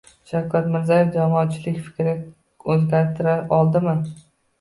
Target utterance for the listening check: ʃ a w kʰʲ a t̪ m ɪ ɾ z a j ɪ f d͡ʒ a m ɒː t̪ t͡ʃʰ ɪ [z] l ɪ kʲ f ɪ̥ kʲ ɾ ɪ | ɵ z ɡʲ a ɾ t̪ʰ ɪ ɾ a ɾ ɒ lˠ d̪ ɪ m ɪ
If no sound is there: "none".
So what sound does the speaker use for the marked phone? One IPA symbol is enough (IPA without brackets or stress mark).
none